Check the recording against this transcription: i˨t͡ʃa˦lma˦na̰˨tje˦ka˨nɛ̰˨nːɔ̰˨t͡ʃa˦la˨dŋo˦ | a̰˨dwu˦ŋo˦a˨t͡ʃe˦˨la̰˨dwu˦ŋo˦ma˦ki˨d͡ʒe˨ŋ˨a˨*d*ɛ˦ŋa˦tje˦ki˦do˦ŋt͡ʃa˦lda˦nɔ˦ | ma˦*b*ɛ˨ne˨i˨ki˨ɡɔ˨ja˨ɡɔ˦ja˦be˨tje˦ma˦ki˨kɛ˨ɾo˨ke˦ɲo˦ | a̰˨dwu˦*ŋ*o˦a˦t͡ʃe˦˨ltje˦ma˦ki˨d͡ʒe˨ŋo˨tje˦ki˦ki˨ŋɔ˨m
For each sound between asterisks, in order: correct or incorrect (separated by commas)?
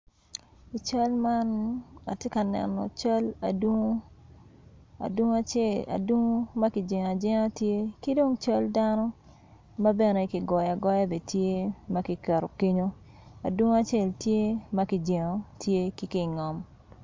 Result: incorrect, correct, correct